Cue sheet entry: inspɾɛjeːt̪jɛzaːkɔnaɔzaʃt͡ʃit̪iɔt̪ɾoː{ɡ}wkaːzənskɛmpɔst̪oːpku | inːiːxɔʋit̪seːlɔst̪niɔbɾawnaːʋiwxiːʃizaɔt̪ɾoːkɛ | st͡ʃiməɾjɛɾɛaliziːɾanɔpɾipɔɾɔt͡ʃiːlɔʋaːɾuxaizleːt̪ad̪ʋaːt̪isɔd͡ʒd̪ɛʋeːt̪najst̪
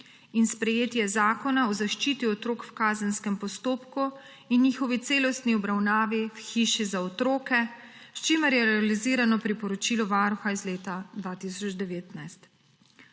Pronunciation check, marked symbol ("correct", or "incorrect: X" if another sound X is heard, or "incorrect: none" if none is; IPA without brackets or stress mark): incorrect: k